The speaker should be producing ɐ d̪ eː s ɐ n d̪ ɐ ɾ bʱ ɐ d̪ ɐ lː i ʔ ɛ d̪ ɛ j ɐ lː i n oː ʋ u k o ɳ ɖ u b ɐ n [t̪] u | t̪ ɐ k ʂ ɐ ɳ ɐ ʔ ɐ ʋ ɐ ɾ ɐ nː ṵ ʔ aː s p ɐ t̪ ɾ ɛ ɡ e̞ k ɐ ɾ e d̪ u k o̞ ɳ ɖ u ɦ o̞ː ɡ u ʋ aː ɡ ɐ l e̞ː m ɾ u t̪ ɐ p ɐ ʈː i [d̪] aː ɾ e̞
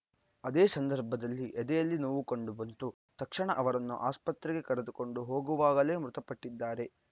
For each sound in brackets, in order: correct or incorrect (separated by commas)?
correct, incorrect